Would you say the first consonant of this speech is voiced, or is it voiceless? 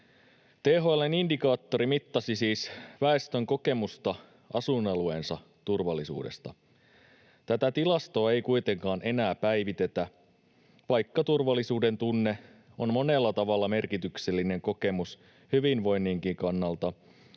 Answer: voiceless